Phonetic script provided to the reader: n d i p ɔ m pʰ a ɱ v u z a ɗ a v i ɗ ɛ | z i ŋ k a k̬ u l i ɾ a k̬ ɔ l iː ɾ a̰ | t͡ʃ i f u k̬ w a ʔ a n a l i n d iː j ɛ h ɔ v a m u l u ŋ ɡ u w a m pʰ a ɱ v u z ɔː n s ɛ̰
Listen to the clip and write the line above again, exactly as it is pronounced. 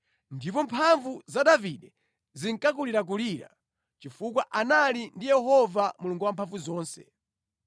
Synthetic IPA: n d i p ɔ m pʰ a ɱ v u z a ɗ a v i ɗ ɛ | z i ŋ k a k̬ u l i ɾ a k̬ u l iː ɾ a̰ | t͡ʃ i f u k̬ w a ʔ a n a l i n d i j ɛ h ɔ v a m u l u ŋ ɡ u w a m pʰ a ɱ v u z ɔː n s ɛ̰